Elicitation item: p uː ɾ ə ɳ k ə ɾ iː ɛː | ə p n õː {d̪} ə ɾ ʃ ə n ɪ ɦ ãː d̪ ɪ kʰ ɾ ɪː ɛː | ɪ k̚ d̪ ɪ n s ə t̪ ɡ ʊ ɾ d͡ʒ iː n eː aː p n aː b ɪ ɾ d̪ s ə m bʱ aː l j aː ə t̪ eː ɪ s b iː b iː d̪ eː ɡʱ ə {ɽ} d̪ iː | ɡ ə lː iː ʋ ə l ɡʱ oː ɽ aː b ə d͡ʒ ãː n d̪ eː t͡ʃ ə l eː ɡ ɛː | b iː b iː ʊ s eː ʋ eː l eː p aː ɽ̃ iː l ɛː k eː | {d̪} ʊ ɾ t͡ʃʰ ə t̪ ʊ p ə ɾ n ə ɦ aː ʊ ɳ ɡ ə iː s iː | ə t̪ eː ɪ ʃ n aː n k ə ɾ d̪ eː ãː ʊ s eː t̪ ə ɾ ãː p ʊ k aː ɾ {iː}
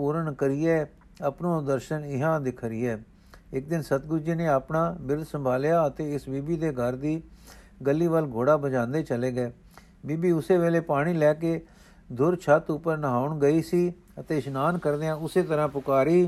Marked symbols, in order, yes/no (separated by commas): yes, no, yes, yes